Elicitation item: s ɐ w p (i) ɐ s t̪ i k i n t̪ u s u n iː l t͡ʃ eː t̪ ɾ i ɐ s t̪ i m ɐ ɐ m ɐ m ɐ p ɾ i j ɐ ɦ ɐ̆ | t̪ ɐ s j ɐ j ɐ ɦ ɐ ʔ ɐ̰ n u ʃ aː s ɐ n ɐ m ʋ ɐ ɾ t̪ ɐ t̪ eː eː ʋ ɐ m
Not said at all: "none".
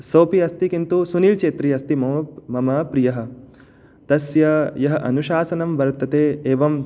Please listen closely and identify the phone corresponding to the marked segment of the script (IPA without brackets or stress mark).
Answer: i